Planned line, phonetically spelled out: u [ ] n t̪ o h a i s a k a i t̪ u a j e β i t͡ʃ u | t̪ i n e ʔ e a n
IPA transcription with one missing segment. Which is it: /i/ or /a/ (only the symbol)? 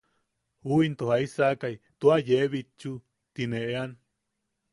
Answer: i